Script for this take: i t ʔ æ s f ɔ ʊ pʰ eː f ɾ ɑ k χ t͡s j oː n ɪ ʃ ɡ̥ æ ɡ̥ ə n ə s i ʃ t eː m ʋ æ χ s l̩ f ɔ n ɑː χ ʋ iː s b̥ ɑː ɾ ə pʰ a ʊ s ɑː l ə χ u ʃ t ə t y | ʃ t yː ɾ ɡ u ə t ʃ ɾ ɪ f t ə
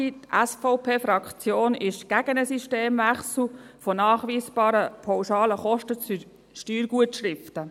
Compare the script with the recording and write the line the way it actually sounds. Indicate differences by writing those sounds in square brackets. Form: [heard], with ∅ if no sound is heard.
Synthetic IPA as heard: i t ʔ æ s f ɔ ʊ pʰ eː f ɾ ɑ k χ t͡s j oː n ɪ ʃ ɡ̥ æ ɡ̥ ə n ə s i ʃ t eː m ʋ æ χ s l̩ f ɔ n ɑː χ ʋ iː s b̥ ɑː ɾ ə pʰ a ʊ [ʃ] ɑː l ə χ [ɔ] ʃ t ə [t͡s] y | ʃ t yː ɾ ɡ u ə t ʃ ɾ ɪ f t ə